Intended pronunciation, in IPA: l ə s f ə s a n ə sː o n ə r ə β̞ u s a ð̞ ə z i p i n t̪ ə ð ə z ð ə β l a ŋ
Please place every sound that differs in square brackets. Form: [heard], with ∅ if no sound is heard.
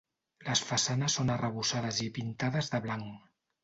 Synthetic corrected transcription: l ə s f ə s a n ə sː o n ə r ə β̞ u s a ð̞ ə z i p i n t̪ [a] ð ə z ð ə β l a ŋ